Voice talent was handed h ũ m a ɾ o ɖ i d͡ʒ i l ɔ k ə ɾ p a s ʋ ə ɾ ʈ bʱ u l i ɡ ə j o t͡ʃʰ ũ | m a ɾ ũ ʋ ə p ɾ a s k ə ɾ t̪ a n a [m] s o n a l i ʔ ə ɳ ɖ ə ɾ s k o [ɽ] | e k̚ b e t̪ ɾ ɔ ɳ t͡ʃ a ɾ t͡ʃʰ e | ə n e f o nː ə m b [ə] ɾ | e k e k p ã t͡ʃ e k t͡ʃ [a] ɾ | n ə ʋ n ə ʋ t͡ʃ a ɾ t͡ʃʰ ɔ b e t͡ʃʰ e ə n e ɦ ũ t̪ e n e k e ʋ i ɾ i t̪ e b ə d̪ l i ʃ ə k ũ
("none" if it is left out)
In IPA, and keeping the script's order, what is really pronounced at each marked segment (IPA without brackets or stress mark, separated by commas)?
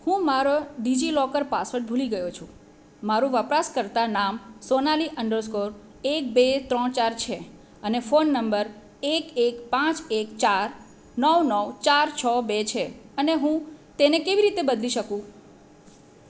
m, ɾ, ə, a